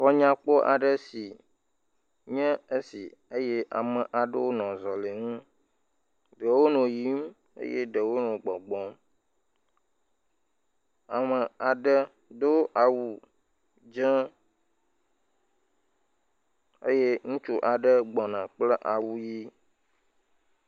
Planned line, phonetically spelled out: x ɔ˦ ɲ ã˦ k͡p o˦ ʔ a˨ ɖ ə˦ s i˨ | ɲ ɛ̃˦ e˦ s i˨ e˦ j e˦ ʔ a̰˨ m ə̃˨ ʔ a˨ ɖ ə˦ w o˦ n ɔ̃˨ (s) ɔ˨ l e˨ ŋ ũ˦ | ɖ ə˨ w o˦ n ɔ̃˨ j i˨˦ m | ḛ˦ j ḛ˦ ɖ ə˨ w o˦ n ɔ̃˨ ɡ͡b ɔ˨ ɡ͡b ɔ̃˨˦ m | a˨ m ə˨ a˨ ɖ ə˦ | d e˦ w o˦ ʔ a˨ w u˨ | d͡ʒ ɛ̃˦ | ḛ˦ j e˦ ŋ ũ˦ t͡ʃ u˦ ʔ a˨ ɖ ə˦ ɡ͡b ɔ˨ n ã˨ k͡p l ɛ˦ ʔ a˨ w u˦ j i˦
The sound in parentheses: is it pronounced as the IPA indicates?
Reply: no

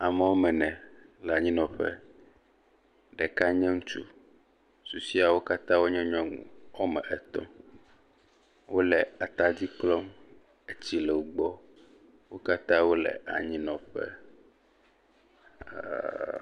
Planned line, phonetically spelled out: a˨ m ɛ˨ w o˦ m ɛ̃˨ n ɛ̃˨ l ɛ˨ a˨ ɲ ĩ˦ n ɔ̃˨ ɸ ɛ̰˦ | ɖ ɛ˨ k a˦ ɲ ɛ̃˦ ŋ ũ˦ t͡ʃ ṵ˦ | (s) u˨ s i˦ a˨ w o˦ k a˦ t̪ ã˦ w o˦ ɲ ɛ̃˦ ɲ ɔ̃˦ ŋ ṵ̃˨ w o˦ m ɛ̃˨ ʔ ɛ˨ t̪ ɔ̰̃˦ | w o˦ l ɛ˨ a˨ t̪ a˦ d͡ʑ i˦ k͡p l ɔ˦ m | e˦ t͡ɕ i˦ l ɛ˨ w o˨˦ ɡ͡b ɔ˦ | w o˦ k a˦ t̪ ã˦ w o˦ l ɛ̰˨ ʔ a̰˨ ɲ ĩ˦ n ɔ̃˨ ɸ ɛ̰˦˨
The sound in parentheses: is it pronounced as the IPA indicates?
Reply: yes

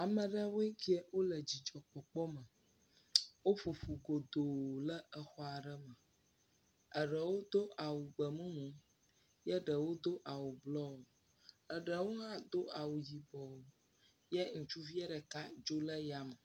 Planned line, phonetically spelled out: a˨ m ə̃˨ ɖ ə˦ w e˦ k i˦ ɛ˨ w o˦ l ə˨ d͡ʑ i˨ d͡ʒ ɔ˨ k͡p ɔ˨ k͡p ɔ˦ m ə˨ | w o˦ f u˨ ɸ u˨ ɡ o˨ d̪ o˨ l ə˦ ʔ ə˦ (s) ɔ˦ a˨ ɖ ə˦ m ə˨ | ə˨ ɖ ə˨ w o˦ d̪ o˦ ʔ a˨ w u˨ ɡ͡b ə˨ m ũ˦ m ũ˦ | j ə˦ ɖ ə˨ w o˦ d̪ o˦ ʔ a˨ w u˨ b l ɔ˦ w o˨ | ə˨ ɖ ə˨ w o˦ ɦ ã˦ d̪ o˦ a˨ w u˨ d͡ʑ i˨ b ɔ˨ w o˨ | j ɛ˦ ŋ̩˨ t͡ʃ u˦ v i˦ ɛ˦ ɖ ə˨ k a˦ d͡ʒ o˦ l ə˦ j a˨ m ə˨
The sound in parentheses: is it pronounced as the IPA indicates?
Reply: no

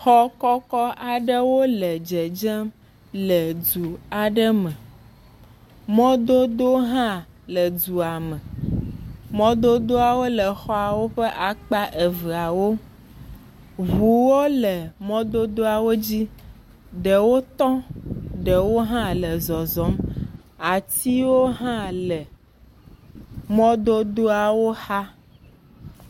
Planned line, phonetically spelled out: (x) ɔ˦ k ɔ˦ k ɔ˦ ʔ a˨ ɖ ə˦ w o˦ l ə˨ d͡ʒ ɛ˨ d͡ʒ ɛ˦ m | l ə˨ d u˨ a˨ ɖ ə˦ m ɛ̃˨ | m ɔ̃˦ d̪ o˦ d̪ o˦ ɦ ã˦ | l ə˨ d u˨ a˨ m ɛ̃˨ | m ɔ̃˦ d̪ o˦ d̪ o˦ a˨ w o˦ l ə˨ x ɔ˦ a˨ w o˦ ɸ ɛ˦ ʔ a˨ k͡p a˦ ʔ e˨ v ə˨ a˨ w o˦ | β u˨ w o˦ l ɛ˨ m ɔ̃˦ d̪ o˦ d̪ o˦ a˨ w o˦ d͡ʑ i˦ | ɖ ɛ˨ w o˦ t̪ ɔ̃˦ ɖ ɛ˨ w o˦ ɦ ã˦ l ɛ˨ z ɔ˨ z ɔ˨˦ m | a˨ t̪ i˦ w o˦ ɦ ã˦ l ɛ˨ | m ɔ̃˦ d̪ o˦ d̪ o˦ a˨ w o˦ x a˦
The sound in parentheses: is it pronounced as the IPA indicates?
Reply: yes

